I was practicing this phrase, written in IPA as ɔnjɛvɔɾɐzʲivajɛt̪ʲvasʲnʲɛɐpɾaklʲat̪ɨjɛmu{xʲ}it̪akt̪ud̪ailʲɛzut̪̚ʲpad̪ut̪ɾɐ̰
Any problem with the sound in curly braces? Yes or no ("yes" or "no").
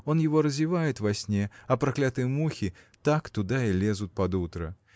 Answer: no